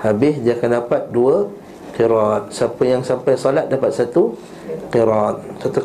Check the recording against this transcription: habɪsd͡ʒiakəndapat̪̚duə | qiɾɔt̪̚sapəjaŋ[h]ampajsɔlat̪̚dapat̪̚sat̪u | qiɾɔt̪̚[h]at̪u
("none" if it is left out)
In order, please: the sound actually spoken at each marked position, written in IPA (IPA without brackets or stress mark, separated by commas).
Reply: s, s